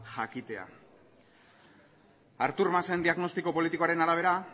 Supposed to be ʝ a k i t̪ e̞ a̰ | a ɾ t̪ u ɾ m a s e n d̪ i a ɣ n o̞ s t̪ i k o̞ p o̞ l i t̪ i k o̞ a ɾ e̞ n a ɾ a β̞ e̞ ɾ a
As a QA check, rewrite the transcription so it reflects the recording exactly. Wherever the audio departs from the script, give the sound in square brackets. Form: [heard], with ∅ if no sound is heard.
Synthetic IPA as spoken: ʝ a k i t̪ e̞ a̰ | a ɾ t̪ u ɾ m a s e n d̪ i a ɣ n o̞ s t̪ i k o̞ p o̞ l i t̪ i k o̞ a ɾ e̞ n a ɾ a β̞ e̞ ɾ a